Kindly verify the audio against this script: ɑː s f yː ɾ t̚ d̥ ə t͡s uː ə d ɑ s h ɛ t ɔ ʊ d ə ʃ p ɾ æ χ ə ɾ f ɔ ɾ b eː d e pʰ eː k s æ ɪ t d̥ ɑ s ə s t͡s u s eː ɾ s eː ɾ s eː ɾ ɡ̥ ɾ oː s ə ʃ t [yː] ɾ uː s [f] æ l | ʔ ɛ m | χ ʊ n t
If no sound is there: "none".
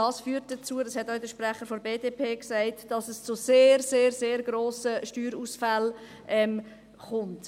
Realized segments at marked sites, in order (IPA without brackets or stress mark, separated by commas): yː, f